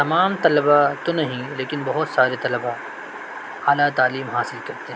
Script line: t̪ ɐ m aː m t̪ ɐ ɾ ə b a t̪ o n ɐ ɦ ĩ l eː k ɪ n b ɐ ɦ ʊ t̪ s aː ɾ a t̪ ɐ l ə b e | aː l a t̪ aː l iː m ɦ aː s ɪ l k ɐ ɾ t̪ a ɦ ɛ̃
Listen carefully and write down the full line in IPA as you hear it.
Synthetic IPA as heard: t̪ ɐ m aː m t̪ ɐ l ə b a t̪ o n ɐ ɦ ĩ l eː k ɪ n b ɐ ɦ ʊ t̪ s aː ɾ e t̪ ɐ l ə b a | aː l a t̪ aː l iː m ɦ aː s ɪ l k ɐ ɾ t̪ e ɦ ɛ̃